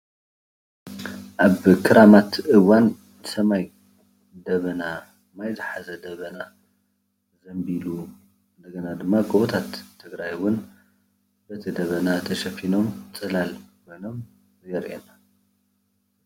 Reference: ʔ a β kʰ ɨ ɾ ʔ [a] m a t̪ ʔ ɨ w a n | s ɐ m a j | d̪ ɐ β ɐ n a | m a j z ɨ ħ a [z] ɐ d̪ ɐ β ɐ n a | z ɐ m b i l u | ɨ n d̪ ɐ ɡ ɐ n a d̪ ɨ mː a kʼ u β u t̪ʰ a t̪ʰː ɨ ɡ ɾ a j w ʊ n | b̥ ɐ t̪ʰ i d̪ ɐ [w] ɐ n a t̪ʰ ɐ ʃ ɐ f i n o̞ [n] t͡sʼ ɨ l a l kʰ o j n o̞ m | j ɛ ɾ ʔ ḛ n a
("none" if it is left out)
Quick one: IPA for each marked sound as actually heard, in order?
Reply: a, z, β, m

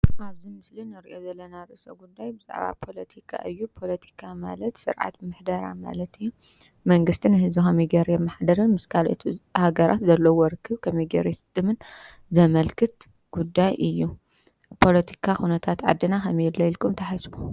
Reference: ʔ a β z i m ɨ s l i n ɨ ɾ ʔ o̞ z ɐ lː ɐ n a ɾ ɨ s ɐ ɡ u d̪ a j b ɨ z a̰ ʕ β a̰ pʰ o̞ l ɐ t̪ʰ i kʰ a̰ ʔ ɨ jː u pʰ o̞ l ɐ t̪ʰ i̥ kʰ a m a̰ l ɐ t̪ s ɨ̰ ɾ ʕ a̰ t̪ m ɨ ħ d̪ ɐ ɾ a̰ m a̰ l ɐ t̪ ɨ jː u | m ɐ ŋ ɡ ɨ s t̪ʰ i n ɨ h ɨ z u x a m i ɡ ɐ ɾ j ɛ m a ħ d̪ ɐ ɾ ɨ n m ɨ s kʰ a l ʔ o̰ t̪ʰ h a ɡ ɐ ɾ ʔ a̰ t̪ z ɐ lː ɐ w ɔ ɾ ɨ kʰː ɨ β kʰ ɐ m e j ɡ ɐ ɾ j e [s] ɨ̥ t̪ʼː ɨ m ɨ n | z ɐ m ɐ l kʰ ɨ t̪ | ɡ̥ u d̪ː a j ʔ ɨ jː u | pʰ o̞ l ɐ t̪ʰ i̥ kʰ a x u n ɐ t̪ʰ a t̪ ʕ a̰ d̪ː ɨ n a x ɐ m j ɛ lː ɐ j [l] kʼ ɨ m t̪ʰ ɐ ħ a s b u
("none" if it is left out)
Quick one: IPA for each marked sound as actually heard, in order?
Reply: s, l

